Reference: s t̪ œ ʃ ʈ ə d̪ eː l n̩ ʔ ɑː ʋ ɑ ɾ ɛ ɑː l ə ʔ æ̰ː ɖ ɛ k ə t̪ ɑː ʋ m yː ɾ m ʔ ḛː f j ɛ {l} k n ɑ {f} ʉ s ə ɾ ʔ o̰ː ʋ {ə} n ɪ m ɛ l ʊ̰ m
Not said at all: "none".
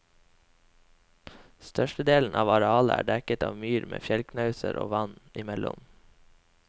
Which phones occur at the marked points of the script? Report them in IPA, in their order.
l, none, ɑ

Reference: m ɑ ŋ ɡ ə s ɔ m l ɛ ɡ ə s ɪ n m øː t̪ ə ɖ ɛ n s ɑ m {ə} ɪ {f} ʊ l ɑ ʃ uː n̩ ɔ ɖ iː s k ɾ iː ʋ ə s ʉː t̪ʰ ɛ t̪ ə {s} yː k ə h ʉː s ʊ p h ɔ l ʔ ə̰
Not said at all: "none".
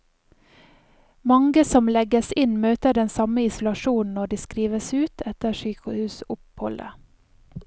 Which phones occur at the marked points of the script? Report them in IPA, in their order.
ə, s, ʃ

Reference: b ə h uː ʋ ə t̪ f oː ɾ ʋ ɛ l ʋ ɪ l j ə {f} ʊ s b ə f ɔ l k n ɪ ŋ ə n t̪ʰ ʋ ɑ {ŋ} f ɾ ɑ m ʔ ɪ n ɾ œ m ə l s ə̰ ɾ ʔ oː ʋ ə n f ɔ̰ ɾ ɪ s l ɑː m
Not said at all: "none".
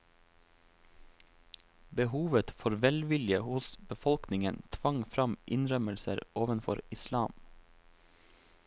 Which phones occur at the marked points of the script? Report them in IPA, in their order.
h, ŋ

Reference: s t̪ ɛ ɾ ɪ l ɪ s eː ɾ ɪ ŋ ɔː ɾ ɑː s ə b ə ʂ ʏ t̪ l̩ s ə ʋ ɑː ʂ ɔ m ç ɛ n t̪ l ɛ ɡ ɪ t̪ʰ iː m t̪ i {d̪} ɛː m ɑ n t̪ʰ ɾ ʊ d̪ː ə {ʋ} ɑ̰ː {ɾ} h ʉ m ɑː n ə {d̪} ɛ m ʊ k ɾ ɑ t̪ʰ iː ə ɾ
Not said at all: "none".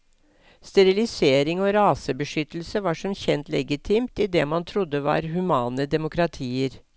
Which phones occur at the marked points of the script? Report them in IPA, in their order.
d̪, ʋ, ɾ, d̪

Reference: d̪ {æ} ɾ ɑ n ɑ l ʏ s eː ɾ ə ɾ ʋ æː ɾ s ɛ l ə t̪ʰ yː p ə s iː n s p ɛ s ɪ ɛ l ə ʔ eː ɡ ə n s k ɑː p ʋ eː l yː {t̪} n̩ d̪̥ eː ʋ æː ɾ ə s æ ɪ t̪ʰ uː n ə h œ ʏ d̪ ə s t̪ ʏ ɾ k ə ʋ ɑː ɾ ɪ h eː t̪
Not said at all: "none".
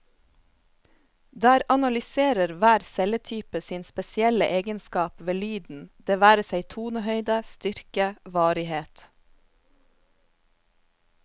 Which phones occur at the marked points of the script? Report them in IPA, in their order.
æː, d̪

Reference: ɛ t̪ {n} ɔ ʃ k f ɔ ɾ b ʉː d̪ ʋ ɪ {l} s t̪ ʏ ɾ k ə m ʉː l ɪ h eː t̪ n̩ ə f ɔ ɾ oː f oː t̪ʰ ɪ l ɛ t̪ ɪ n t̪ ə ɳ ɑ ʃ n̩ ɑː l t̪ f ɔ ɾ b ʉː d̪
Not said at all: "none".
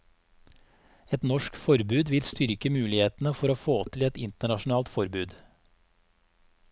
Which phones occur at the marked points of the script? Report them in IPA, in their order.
n, l

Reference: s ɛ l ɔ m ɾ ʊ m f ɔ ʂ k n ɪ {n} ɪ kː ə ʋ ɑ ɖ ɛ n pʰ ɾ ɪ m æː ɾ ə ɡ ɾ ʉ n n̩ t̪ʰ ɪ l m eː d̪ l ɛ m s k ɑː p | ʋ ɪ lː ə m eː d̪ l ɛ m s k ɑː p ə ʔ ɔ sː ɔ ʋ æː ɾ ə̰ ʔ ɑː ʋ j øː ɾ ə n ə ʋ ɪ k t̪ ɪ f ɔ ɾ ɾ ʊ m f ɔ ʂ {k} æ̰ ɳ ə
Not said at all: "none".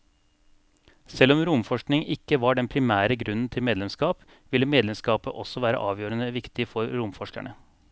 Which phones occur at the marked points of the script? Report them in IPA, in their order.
ŋ, k

